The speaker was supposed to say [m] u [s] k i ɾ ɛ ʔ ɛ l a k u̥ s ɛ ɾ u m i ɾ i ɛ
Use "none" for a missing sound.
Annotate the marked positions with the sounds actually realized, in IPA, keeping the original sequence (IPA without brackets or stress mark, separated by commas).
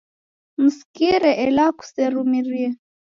m, s